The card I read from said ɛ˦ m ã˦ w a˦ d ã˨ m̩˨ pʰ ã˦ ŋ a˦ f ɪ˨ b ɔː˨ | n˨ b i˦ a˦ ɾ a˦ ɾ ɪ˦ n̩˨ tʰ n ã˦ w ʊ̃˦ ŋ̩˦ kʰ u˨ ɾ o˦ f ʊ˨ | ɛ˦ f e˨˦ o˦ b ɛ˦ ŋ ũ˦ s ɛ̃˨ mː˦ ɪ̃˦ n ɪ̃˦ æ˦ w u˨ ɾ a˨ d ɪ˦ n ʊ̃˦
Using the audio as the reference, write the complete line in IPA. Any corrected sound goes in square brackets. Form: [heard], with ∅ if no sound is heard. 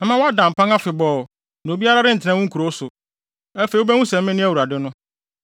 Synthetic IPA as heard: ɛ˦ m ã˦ w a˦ d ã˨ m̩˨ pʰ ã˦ ŋ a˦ f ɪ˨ b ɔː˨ | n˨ b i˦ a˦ ɾ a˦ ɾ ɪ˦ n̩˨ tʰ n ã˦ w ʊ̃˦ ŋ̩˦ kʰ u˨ ɾ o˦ [s] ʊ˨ | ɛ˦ f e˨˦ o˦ b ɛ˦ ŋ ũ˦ s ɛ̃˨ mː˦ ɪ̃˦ n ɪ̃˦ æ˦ w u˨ ɾ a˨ d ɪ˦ n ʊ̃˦